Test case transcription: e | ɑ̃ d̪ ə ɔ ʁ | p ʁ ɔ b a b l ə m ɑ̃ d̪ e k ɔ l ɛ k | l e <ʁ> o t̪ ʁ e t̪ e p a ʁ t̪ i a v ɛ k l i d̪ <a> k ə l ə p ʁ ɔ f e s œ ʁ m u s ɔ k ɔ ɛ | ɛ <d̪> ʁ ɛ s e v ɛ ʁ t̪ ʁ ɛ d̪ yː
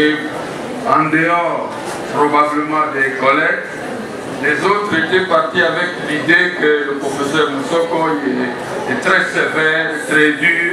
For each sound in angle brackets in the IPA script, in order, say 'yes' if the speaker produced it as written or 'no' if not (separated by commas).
no, no, no